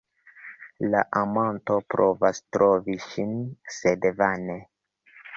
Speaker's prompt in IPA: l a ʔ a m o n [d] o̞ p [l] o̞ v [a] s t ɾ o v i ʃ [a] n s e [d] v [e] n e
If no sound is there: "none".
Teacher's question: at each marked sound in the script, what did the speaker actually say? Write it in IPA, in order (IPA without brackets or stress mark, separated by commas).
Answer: t, ɾ, a, i, d, a